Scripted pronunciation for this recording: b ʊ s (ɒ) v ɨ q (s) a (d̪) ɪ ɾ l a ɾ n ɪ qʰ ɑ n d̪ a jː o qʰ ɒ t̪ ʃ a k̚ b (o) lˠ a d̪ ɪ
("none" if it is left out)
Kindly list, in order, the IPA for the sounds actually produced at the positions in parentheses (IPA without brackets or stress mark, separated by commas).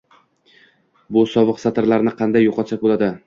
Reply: ɒ, s, t̪, o